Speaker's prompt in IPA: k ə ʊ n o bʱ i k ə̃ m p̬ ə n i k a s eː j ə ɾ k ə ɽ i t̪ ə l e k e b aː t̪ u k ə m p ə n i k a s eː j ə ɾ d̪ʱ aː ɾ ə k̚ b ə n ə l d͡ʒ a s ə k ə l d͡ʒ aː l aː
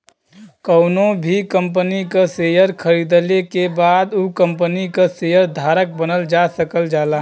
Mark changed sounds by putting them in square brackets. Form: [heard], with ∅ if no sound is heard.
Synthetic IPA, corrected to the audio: k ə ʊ n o bʱ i k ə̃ m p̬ ə n i k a s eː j ə ɾ [kʰ] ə [ɾ] i [d̪] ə l e k e b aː [d̪] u k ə m p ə n i k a s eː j ə ɾ d̪ʱ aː ɾ ə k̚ b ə n ə l d͡ʒ a s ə k ə l d͡ʒ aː l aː